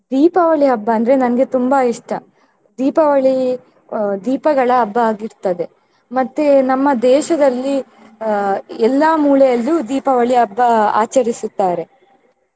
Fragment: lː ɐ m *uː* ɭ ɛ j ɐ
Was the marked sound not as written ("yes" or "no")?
no